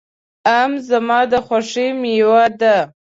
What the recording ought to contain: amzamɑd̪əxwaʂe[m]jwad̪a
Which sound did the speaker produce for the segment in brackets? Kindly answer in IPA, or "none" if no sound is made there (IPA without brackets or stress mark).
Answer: m